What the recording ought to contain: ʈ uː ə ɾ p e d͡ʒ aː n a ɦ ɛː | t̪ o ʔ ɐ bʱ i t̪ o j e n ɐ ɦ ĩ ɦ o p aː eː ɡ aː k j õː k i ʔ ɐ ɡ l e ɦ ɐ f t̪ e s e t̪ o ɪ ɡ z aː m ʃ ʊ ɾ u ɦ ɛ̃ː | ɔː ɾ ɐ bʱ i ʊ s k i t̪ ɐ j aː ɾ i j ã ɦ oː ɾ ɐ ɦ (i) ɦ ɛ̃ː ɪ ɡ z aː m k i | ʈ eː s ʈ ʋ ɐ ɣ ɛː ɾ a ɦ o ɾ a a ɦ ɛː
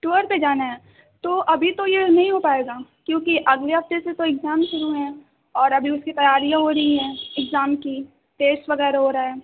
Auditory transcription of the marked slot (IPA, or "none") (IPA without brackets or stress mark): i